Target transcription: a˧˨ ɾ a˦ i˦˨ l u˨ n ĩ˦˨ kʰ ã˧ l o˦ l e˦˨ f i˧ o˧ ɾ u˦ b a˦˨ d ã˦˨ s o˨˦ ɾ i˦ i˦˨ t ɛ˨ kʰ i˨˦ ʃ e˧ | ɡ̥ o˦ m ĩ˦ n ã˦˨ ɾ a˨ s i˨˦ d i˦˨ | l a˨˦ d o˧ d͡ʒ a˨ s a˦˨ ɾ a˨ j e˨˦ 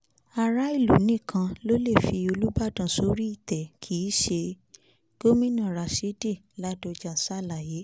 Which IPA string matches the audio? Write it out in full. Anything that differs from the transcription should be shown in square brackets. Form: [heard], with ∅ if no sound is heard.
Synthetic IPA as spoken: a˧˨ ɾ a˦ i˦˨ l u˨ n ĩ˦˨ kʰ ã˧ l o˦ l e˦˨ f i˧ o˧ [l] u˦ b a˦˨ d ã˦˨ s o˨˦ ɾ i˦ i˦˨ t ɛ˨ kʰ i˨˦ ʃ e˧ | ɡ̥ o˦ m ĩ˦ n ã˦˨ ɾ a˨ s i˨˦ d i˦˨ | l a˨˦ d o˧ d͡ʒ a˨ s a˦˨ [l] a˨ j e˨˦